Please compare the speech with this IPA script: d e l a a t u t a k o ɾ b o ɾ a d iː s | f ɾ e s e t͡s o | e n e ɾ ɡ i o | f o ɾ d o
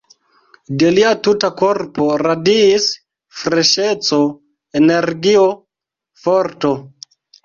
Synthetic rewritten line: d e l i a t u t a k o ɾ p o ɾ a d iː s | f ɾ e ʃ e t͡s o | e n e ɾ ɡ i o | f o ɾ t o